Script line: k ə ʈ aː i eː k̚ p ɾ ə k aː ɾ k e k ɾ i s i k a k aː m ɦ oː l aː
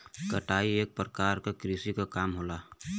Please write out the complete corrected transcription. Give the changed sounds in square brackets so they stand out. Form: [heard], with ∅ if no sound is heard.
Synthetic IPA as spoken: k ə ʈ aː i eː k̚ p ɾ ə k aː ɾ k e k ɾ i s i k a k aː m ɦ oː l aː